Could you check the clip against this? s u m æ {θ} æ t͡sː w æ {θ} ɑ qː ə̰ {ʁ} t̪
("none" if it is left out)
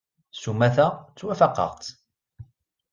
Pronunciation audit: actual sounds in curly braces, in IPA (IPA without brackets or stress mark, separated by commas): θ, f, ʁ